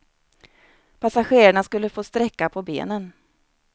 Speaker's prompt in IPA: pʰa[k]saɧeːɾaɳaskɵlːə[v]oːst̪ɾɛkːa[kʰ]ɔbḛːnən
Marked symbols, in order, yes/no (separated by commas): no, no, no